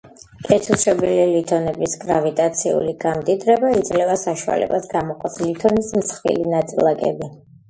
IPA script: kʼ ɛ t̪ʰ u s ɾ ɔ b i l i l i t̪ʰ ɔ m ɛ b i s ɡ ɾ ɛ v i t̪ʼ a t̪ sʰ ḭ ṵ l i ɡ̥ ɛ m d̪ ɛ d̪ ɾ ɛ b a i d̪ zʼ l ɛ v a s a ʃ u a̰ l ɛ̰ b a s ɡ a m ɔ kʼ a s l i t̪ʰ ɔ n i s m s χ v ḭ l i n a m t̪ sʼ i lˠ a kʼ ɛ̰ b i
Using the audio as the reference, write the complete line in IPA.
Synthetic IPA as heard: kʼ ɛ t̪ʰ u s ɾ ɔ b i l i l i t̪ʰ ɔ n ɛ b i s ɡ ɾ a v i t̪ʼ a t̪ sʰ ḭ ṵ l i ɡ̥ a m d̪ i d̪ ɾ ɛ b a i d̪ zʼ l ɛ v a s a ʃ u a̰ l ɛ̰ b a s ɡ a m ɔ qʼ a s l i t̪ʰ ɔ n i s m s χ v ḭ l i n a t̪ sʼ i lˠ a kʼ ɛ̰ b i

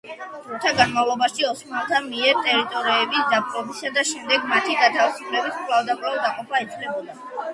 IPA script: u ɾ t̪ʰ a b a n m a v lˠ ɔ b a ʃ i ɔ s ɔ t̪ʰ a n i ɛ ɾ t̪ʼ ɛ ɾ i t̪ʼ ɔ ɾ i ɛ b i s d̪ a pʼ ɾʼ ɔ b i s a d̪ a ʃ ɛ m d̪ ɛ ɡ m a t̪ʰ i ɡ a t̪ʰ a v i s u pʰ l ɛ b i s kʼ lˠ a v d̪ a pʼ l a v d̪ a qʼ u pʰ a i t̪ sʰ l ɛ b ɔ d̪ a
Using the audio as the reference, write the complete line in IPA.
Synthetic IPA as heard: u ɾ t̪ʰ a ɡ a n m a v lˠ ɔ b a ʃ i ɔ s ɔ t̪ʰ a m i ɛ ɾ t̪ʼ ɛ ɾ i t̪ʼ ɔ ɾ i ɛ b i s d̪ a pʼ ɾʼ ɔ b i s a d̪ a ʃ ɛ m d̪ ɛ ɡ m a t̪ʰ i ɡ a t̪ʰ a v i s u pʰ l ɛ b i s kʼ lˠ a v d̪ a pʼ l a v d̪ a qʼ ɔ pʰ a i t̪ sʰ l ɛ b ɔ d̪ a

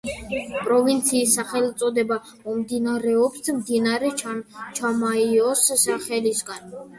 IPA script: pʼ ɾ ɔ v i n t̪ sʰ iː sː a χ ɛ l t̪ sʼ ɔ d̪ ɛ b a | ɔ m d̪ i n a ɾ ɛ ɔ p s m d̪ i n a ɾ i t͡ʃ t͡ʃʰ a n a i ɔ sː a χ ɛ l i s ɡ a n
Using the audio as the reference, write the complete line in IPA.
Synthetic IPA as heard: pʼ ɾ ɔ v i n t̪ sʰ iː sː a χ ɛ l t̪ sʼ ɔ d̪ ɛ b a | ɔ m d̪ i n a ɾ ɛ ɔ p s m d̪ i n a ɾ ɛ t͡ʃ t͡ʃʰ a m a i ɔ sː a χ ɛ l i s ɡ a n

